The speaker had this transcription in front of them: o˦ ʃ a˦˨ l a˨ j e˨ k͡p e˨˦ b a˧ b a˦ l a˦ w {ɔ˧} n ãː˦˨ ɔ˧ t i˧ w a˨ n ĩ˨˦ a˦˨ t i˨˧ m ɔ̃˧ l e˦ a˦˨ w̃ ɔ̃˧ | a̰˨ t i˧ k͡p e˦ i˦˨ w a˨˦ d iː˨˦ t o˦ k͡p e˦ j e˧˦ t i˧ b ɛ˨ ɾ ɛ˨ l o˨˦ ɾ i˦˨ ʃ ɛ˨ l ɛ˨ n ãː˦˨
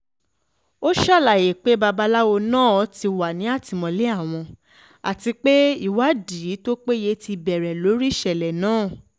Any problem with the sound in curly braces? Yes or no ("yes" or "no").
yes